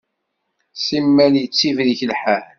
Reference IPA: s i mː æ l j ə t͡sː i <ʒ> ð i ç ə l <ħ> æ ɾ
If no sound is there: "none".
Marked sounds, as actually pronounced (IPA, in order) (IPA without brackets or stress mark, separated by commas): v, ħ